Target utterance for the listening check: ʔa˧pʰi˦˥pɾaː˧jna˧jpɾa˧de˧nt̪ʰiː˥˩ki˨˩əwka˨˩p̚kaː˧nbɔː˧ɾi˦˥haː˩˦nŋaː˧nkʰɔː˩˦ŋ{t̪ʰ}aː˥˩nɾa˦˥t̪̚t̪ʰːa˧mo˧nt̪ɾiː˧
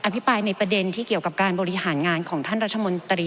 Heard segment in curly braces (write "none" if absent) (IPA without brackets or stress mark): t̪ʰ